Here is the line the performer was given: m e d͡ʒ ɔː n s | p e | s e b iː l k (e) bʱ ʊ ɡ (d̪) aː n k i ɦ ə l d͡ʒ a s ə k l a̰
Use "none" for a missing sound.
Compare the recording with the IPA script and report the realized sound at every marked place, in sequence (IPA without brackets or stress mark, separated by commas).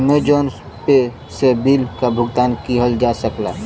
a, t̪